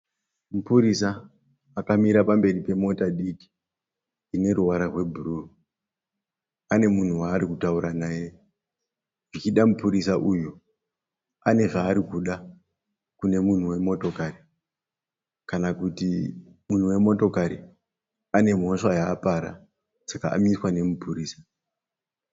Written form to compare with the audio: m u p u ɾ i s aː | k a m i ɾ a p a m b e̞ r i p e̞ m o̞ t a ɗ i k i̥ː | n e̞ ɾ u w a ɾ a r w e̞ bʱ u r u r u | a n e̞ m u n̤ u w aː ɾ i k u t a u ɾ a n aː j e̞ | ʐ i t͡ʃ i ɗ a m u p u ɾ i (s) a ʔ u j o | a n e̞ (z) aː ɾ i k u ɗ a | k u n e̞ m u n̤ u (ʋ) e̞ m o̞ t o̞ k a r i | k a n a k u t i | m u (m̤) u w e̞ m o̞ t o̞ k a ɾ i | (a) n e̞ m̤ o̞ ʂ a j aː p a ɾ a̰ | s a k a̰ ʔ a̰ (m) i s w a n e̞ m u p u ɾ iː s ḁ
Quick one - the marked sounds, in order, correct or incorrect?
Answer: correct, incorrect: ʐ, incorrect: w, incorrect: n̤, correct, correct

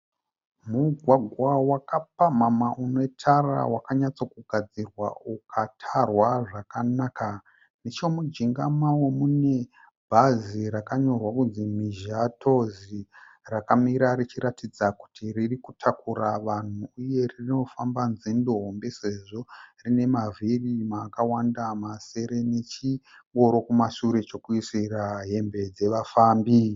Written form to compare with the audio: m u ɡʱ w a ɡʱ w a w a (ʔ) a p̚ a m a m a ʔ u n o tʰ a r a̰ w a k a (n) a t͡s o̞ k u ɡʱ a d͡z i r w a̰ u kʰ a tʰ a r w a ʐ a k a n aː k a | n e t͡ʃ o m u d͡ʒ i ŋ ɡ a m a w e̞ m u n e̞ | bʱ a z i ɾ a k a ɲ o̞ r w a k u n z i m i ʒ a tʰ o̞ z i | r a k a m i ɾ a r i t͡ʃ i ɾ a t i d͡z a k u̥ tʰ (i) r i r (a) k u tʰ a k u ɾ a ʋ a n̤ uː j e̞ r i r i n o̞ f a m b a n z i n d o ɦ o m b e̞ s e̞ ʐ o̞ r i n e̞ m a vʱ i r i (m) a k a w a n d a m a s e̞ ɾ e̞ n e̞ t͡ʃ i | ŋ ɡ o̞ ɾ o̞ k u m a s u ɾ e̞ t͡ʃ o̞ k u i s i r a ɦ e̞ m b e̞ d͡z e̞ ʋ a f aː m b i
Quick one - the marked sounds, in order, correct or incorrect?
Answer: incorrect: k, incorrect: ɲ, correct, incorrect: i, correct

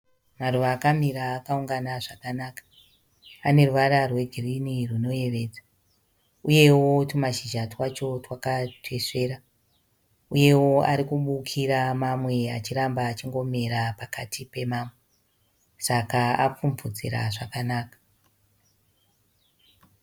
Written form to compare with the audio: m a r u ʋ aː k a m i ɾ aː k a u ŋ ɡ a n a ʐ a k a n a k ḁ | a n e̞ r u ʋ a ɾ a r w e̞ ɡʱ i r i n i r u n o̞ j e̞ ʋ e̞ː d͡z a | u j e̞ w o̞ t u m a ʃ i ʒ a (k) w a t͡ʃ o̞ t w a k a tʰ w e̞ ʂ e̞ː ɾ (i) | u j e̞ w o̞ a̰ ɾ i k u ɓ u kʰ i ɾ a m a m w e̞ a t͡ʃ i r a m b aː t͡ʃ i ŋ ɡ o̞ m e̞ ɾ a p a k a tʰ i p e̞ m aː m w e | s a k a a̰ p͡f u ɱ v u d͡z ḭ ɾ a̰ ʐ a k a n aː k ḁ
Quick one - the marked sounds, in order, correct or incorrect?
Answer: incorrect: t, incorrect: a

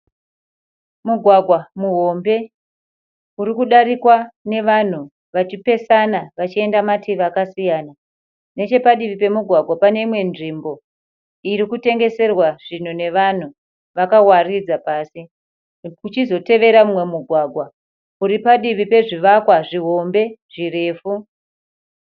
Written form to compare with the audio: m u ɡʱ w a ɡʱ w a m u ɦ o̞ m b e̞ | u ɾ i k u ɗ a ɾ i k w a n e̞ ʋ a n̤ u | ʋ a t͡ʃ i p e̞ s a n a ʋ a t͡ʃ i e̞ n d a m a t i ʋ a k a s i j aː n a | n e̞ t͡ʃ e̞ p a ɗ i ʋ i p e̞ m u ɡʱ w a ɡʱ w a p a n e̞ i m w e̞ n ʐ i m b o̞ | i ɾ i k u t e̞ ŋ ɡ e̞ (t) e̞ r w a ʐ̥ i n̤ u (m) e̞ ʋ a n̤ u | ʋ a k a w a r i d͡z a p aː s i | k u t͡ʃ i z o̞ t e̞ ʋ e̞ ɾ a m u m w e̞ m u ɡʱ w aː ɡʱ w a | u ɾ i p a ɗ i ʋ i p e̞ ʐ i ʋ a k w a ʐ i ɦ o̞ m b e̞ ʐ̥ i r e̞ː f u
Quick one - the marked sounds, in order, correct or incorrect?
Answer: incorrect: s, incorrect: n

